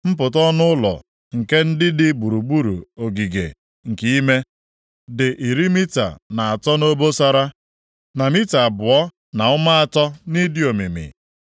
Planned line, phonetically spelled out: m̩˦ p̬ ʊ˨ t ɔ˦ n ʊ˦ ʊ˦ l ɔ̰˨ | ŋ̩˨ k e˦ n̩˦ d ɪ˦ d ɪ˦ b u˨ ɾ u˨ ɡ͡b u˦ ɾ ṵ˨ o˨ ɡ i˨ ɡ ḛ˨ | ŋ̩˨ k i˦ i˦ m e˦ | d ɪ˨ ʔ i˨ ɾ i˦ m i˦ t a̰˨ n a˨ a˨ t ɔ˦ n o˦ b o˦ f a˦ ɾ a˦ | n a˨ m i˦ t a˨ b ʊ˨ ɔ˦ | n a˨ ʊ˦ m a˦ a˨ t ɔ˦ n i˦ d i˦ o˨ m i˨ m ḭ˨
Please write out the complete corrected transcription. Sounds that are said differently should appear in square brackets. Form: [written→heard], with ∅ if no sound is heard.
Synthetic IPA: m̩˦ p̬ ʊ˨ t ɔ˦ n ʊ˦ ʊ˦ l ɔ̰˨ | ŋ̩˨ k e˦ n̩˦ d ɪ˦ d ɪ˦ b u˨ ɾ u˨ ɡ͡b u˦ ɾ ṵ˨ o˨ ɡ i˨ ɡ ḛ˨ | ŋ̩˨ k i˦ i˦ m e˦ | d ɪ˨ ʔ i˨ ɾ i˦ m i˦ t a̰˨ n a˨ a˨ t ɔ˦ n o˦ b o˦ [f→s] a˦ ɾ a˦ | n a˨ m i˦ t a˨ b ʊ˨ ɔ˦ | n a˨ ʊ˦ m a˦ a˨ t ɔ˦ n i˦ d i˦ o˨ m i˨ m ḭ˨